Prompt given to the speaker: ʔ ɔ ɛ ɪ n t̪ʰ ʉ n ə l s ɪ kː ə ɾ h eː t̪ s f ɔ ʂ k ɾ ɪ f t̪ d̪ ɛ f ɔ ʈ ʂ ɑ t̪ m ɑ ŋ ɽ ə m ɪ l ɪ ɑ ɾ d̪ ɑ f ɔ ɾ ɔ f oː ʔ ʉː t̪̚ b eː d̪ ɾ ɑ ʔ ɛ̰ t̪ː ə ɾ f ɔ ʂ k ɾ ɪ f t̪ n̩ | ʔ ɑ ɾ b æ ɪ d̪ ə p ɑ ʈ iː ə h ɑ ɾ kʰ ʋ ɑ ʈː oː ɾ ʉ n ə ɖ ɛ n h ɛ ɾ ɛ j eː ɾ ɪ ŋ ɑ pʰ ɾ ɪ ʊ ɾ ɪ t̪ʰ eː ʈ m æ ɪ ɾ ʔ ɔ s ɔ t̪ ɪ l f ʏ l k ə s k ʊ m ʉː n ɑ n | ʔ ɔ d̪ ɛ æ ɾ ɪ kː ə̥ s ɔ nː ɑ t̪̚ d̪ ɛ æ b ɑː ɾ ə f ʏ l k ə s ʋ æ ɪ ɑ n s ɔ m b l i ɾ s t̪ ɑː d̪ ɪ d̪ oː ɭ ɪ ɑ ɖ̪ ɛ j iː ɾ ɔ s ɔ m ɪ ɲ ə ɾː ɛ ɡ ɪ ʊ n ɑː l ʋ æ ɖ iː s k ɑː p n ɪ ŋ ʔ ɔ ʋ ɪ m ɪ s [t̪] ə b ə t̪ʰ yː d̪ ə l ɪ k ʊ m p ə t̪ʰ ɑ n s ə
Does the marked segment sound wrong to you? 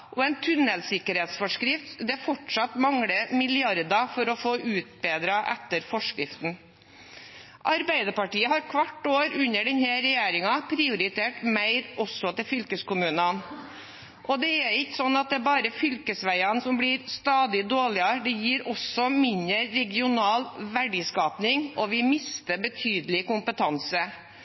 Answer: no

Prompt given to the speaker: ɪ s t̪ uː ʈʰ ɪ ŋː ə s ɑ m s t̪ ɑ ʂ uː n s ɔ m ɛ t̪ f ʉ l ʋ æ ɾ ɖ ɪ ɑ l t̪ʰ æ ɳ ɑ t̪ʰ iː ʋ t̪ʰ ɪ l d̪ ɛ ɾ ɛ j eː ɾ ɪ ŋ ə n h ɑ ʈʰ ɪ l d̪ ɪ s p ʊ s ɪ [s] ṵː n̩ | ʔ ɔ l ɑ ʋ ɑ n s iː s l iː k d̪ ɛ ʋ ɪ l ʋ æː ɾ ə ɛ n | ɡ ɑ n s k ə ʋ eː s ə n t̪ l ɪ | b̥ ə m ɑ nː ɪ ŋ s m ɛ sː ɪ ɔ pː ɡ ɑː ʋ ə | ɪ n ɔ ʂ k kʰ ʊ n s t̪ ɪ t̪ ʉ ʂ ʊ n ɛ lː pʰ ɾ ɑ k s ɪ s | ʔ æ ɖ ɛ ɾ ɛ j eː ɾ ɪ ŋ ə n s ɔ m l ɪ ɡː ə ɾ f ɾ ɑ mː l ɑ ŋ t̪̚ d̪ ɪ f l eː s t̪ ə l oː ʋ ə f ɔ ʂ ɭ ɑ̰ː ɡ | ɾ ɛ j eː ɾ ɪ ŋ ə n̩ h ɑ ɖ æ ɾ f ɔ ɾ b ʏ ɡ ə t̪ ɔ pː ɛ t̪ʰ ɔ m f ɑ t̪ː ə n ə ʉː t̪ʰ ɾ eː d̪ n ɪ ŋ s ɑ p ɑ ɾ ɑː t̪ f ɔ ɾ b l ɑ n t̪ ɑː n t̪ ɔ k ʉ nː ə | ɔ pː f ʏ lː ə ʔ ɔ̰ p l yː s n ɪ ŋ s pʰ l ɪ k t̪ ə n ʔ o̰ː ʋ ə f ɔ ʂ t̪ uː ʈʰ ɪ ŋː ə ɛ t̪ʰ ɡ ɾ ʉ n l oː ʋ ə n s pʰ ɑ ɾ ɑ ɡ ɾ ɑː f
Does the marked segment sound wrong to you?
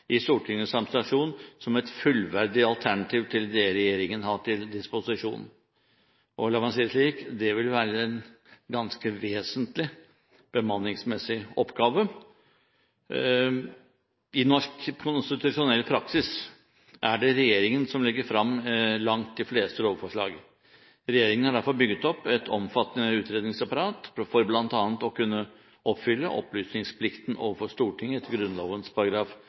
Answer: yes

